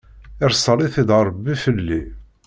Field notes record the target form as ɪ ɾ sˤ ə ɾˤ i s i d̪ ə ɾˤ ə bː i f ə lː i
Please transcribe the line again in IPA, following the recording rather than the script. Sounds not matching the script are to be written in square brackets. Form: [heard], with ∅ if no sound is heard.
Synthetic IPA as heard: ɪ ɾ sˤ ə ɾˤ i [θ] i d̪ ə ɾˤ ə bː i f ə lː i

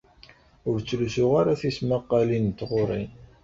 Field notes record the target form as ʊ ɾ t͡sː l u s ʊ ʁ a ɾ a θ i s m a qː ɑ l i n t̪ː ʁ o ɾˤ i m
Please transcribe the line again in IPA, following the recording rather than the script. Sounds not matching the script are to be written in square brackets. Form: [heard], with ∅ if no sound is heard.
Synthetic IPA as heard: ʊ ɾ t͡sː l u s ʊ ʁ a ɾ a θ i s m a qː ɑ l i n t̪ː ʁ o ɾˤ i [n]

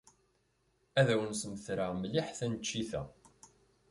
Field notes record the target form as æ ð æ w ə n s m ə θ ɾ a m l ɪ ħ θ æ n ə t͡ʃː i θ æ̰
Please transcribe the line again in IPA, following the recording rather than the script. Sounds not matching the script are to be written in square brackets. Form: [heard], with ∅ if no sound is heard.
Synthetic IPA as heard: æ ð æ w ə n s m ə θ ɾ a m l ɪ ħ θ æ n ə t͡ʃː i θ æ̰

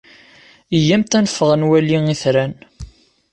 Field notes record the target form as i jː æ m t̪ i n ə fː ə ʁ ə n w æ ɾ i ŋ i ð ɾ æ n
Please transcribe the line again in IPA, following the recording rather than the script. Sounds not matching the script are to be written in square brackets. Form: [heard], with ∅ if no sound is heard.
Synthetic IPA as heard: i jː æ m t̪ [æ] n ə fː ə ʁ ə n w æ [l] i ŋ i [θ] ɾ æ n

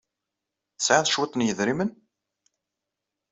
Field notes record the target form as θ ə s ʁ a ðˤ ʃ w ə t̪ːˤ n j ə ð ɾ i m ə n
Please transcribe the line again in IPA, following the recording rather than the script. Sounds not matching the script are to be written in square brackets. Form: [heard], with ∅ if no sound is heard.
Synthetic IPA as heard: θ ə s [ʕ] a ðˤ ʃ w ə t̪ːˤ n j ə ð ɾ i m ə n

